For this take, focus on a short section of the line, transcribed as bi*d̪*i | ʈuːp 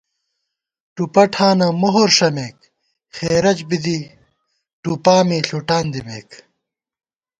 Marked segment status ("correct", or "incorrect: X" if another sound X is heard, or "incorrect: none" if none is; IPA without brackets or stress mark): correct